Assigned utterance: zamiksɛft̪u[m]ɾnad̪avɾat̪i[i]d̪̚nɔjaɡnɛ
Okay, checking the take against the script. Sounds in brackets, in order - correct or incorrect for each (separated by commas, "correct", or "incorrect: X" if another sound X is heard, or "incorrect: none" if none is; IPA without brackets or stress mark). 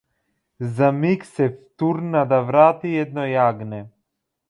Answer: incorrect: none, incorrect: ɛ